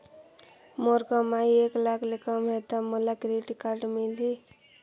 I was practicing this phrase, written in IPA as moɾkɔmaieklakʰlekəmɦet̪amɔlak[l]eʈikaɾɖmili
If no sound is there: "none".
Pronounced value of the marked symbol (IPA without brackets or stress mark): ɾ